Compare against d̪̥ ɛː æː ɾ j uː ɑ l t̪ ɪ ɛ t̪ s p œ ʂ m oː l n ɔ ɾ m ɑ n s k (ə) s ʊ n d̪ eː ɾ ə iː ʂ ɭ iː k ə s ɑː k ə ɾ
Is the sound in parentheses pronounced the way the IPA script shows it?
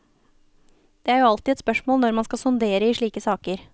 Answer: no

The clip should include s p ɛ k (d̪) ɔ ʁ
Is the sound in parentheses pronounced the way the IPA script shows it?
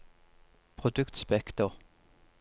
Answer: no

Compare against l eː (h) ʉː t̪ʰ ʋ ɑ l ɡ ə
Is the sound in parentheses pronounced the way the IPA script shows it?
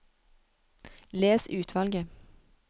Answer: no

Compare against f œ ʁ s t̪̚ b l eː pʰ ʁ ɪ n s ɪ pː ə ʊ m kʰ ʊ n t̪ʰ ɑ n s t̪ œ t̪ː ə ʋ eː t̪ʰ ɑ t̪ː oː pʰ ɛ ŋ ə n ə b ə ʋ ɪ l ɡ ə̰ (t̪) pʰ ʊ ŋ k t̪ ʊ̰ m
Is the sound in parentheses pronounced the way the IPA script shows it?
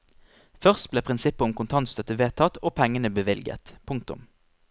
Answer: yes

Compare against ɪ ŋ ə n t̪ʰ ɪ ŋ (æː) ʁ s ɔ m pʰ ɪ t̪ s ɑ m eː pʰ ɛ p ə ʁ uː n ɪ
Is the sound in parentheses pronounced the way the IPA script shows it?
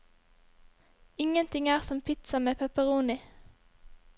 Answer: yes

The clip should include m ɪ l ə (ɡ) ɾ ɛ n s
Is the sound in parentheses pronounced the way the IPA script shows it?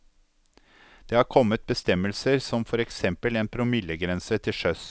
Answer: yes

